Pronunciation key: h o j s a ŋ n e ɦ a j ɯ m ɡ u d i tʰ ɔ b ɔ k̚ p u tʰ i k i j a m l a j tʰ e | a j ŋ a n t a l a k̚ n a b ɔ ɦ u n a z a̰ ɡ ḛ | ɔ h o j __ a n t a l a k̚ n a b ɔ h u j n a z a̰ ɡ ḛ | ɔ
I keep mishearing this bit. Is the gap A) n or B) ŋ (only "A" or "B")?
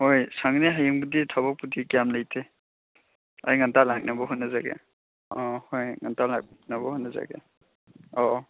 B